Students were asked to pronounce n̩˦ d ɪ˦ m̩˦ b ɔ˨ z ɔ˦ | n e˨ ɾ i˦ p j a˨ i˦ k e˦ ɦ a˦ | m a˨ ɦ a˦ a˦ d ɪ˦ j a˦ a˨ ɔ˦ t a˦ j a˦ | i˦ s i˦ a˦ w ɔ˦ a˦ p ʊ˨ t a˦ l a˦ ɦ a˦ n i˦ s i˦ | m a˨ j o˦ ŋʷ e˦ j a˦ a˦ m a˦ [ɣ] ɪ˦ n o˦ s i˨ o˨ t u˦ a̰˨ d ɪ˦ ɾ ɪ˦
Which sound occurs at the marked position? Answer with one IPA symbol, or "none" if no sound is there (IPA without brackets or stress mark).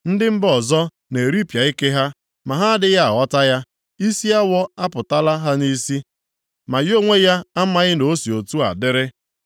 ɣ